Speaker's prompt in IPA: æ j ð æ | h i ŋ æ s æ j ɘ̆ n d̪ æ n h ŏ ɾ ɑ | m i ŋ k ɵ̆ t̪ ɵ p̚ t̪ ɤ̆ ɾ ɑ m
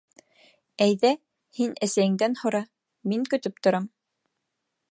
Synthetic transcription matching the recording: æ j ð æ | h i n æ s æ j ɘ̆ ŋ d̪ æ n h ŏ ɾ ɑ | m i ŋ k ɵ̆ t̪ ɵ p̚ t̪ ŏ ɾ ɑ m